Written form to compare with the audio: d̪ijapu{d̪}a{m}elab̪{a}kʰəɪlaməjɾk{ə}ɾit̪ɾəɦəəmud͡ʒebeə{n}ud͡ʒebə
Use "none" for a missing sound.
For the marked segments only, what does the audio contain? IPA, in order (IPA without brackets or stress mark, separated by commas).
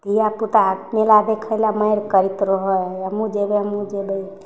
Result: t̪, m, e, ə, m